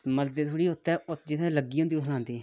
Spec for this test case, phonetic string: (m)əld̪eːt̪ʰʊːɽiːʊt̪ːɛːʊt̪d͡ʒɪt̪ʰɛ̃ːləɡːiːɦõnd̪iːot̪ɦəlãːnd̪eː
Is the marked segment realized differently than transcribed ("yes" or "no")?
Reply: no